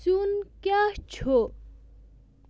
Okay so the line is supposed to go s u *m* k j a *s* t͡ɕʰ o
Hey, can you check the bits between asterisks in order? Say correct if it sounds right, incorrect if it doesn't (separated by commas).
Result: incorrect, incorrect